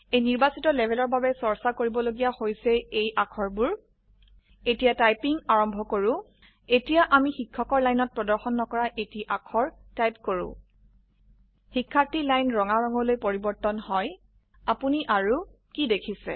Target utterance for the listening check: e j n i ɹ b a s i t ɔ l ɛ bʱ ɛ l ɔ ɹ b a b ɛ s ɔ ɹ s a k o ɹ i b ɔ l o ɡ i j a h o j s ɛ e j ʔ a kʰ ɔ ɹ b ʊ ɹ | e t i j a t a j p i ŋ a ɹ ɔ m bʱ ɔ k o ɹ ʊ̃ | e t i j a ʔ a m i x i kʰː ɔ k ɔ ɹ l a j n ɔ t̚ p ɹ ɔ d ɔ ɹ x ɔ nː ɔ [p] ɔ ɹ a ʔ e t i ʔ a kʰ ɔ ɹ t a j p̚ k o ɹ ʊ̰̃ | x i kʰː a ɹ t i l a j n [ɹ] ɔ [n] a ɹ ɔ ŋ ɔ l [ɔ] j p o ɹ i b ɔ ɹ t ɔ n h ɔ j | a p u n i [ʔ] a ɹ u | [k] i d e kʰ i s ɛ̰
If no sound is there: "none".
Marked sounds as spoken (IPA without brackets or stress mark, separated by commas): k, ɹ, ŋ, o, ʔ, k